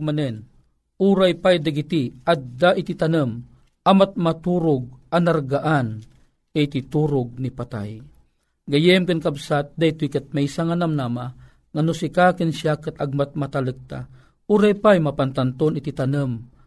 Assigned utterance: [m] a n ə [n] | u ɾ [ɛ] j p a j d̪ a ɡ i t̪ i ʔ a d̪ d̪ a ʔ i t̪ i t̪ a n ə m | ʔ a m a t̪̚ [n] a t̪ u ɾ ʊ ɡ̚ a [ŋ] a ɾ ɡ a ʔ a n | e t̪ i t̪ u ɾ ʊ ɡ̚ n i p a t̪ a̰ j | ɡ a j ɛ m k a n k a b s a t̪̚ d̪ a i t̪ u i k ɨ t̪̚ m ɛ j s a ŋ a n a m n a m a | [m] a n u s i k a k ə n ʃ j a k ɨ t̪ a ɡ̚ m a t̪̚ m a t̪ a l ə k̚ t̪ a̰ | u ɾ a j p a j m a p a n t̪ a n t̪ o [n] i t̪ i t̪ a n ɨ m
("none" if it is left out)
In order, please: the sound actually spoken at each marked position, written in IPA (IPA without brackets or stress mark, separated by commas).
m, n, a, m, n, ŋ, n